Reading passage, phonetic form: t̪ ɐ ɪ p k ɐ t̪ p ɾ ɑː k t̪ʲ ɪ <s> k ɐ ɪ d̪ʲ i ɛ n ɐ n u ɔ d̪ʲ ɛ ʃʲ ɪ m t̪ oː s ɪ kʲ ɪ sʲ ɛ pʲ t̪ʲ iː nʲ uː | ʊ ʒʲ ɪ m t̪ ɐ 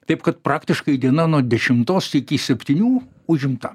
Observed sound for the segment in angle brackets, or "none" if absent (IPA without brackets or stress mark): ʃ